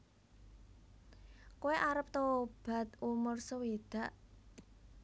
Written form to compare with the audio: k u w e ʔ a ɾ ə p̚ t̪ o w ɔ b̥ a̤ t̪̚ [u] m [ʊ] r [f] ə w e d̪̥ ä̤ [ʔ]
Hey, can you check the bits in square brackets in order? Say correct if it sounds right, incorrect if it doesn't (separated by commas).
correct, correct, incorrect, correct